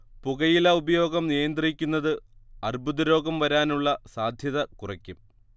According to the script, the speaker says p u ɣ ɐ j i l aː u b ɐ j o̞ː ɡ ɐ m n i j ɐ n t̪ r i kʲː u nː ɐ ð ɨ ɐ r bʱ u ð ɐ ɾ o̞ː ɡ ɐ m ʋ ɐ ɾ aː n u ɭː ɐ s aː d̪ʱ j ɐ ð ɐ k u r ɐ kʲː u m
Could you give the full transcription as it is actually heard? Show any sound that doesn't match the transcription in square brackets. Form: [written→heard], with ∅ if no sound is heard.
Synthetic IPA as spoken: p u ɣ ɐ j i l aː u b ɐ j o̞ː ɡ ɐ m n i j ɐ n [t̪→d̪] r i kʲː u nː ɐ ð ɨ ɐ r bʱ u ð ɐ ɾ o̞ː ɡ ɐ m ʋ ɐ ɾ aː n u ɭː ɐ s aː d̪ʱ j ɐ ð ɐ k u r ɐ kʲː u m